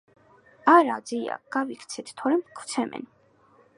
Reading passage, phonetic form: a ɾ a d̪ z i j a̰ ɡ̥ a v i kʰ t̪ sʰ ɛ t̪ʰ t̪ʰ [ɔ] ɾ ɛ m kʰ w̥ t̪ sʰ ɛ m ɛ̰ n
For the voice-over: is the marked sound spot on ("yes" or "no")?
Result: yes